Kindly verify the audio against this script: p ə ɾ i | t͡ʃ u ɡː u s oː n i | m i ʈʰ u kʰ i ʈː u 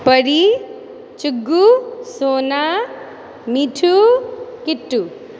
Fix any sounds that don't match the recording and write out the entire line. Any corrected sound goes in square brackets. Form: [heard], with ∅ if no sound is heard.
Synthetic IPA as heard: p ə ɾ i | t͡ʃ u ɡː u s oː n [a] | m i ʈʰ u [k] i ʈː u